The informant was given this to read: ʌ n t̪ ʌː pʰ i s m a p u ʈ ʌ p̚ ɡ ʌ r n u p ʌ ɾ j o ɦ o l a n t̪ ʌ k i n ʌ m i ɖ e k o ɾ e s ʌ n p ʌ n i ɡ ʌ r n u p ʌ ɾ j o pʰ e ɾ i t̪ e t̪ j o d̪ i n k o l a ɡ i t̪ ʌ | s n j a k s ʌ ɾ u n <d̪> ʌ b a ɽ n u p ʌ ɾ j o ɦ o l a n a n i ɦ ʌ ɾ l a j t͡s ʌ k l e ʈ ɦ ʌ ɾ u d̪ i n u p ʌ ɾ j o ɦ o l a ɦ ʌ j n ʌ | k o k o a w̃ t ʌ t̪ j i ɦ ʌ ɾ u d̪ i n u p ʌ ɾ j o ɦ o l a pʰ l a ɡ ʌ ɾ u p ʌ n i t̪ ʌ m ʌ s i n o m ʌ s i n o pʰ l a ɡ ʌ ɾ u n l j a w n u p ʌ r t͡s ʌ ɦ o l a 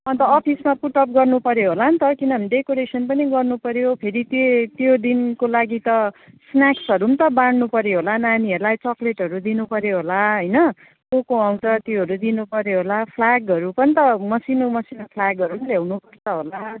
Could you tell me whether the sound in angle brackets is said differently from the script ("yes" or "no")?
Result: yes